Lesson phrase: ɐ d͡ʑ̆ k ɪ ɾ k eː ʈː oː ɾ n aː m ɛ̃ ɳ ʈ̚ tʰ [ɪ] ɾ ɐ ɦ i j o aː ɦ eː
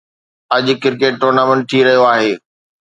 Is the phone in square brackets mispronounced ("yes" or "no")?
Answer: yes